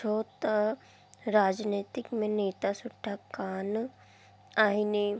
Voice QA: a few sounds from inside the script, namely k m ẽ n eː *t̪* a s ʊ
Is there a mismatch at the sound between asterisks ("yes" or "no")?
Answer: no